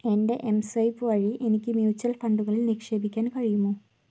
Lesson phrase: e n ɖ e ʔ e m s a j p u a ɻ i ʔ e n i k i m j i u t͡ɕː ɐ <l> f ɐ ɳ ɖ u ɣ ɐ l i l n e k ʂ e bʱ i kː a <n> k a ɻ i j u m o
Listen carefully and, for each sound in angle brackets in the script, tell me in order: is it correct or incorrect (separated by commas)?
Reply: correct, correct